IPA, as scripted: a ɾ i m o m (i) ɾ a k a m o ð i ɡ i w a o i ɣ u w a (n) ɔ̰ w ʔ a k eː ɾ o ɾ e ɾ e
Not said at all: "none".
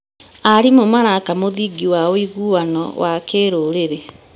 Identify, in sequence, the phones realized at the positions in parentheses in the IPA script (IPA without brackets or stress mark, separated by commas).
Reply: a, n